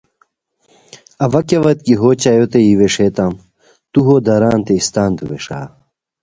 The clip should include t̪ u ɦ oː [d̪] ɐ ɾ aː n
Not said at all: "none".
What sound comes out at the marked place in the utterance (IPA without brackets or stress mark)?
d̪